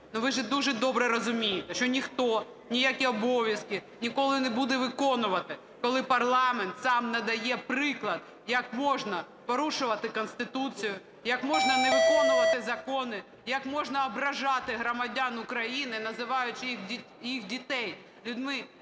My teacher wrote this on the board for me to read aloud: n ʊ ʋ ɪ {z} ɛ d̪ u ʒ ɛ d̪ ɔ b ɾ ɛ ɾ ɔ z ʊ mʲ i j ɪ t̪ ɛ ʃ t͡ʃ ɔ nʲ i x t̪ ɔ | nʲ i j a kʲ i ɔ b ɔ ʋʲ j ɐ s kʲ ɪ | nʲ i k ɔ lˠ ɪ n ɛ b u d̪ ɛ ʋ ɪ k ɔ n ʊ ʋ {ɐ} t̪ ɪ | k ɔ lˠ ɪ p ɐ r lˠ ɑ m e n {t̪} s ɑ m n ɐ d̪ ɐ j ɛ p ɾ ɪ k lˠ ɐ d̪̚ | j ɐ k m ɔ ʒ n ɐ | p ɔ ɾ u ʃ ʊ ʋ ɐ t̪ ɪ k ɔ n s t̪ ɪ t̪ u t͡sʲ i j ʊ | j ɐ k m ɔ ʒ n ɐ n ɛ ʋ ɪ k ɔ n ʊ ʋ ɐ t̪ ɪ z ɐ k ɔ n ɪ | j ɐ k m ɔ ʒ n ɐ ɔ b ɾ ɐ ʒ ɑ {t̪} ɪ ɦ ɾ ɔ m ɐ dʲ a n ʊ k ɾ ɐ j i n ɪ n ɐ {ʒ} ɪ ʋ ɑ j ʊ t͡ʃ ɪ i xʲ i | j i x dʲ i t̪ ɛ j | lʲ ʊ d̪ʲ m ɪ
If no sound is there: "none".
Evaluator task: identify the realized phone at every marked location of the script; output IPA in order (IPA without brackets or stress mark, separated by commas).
ʒ, ɐ, t̪, t̪, z